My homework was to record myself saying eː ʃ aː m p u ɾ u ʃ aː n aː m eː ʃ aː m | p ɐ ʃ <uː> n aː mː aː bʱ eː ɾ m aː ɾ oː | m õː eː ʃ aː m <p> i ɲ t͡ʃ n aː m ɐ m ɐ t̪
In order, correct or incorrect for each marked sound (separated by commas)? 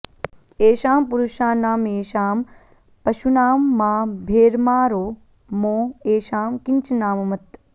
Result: incorrect, incorrect